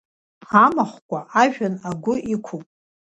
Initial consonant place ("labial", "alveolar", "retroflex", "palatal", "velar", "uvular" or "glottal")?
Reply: labial